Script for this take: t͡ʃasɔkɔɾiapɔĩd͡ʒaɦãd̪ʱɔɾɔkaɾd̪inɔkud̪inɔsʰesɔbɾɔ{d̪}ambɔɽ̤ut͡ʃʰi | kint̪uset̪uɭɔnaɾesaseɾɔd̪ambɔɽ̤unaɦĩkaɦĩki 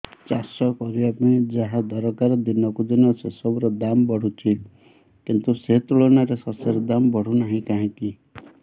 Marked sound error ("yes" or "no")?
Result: no